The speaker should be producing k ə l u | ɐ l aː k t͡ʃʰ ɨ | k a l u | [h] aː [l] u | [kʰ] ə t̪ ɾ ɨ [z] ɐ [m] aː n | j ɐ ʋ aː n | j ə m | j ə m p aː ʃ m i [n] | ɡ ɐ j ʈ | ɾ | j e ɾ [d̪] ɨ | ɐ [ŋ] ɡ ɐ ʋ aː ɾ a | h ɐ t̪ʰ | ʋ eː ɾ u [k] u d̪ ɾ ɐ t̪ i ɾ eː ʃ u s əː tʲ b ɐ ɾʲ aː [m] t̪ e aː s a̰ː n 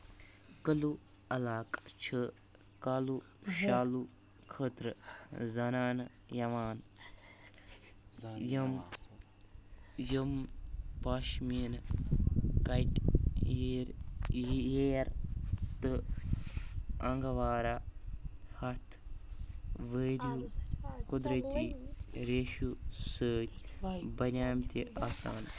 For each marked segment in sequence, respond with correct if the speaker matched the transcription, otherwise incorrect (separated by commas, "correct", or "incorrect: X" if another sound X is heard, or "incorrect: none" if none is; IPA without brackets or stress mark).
incorrect: ʃ, correct, correct, correct, incorrect: n, correct, incorrect: t̪, correct, correct, correct